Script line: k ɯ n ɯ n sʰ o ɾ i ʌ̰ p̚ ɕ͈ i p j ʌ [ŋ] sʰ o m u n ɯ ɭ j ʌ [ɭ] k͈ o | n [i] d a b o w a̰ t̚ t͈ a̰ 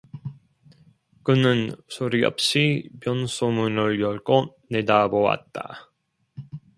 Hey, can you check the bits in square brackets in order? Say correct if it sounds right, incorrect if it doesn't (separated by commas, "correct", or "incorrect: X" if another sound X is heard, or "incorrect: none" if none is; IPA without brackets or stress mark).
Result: incorrect: n, correct, incorrect: e